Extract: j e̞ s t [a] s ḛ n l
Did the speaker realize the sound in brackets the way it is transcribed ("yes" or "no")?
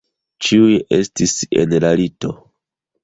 no